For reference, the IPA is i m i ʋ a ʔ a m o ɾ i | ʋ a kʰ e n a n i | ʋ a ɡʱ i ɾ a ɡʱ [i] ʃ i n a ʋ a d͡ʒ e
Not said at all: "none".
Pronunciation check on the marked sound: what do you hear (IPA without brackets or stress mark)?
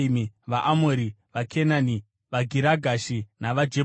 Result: a